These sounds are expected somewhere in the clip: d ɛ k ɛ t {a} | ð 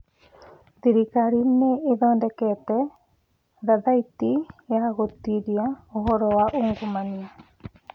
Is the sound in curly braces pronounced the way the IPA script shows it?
no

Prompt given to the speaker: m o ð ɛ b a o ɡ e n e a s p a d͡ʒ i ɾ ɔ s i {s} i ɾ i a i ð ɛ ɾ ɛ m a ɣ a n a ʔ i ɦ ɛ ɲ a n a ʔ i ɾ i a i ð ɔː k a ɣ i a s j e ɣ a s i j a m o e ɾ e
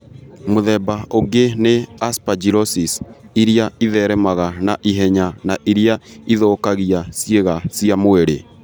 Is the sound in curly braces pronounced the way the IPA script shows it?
yes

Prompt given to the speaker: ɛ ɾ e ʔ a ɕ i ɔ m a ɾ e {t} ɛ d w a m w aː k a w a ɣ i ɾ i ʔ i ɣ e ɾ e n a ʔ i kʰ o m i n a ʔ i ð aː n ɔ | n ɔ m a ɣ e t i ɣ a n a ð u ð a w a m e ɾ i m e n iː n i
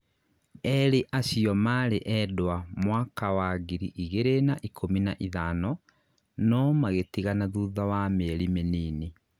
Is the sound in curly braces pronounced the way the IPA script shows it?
no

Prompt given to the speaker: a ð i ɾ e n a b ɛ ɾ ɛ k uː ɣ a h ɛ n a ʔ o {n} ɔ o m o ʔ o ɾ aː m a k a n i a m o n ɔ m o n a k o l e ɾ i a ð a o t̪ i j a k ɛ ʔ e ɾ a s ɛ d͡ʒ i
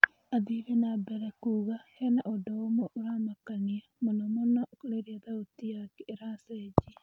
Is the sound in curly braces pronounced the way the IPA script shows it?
no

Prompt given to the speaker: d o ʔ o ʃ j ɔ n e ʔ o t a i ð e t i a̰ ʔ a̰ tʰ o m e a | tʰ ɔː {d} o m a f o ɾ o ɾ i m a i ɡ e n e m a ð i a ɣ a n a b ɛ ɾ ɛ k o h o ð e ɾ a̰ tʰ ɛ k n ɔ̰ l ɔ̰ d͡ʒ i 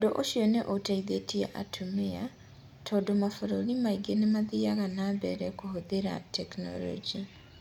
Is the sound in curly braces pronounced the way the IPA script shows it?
yes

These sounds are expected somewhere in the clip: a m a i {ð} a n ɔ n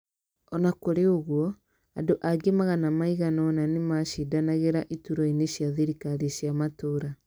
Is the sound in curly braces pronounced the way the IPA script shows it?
no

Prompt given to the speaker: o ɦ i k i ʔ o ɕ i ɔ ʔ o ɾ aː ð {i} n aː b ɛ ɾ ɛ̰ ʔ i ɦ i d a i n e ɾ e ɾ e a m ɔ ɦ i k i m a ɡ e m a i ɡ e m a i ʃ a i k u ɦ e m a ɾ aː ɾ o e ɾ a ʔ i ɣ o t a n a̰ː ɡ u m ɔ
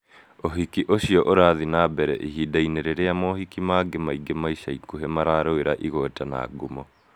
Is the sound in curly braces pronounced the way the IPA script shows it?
yes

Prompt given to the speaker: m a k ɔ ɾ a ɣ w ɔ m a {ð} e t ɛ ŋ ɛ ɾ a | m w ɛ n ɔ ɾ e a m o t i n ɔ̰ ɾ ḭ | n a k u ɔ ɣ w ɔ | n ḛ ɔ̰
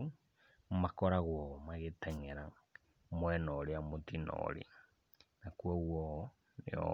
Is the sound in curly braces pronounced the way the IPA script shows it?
no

